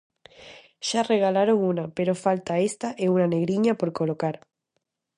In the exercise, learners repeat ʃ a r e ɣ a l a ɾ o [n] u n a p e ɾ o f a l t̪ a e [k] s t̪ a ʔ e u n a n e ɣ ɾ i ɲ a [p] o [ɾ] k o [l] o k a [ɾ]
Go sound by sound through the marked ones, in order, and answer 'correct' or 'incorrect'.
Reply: incorrect: ŋ, incorrect: none, correct, correct, correct, correct

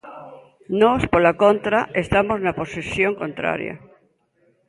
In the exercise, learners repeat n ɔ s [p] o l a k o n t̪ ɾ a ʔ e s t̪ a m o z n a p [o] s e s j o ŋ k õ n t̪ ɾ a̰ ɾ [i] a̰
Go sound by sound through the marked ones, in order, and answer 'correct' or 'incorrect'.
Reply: correct, correct, incorrect: j

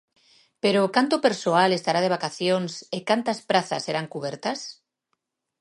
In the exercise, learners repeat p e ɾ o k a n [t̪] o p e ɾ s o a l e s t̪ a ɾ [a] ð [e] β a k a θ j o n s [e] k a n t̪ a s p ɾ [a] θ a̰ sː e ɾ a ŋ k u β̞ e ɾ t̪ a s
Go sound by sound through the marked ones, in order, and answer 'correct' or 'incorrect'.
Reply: correct, correct, correct, correct, correct

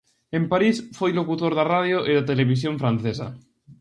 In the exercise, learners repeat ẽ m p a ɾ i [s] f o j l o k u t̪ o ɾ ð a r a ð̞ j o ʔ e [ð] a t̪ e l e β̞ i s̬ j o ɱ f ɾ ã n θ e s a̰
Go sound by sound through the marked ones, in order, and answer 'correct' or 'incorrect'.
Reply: correct, correct

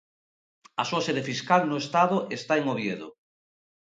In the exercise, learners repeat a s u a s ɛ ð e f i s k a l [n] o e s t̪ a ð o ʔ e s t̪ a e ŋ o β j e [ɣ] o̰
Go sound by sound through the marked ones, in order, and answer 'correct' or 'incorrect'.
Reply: correct, incorrect: ð

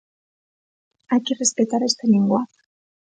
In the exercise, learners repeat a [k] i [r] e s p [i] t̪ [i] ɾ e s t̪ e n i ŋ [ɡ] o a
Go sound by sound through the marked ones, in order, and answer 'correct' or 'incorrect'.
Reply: correct, correct, incorrect: e, incorrect: a, correct

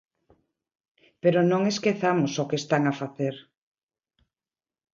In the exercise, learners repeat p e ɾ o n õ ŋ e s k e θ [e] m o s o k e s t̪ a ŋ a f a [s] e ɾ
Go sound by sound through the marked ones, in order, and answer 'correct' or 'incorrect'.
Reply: incorrect: a, incorrect: θ

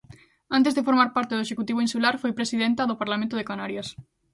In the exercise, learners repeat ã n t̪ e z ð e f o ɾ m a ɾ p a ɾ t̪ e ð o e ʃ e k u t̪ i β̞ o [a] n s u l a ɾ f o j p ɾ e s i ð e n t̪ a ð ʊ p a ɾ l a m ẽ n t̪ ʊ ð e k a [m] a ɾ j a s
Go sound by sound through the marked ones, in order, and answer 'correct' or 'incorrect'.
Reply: incorrect: i, incorrect: n

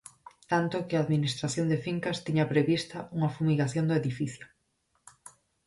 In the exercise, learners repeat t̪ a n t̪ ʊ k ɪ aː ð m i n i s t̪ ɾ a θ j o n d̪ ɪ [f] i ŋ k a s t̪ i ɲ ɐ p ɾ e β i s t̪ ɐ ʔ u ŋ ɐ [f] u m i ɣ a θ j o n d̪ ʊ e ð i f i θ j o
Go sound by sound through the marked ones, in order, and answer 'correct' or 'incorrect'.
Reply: correct, correct

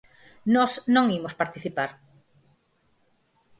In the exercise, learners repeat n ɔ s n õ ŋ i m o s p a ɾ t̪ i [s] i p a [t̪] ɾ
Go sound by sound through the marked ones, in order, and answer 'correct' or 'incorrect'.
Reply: incorrect: θ, incorrect: none

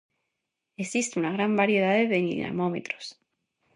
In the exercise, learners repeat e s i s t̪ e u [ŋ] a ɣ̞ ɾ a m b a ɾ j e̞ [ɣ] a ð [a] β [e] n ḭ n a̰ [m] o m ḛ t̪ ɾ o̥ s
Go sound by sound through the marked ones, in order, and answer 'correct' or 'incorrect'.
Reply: incorrect: n, incorrect: ð, incorrect: e, correct, correct

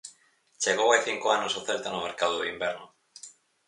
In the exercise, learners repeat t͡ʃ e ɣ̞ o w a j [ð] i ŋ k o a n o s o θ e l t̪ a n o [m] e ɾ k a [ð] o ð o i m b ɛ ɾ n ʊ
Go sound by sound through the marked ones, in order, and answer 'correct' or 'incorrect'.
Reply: incorrect: θ, correct, correct

